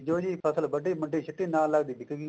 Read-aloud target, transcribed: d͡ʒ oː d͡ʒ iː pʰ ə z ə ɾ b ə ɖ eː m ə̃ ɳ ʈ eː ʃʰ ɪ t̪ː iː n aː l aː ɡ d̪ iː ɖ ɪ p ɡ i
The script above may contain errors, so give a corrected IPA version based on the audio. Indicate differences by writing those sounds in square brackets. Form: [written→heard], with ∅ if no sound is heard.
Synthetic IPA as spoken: d͡ʒ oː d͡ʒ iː pʰ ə [z→s] ə [ɾ→l] b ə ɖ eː m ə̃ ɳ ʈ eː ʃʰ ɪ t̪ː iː n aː l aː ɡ d̪ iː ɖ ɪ [p→k] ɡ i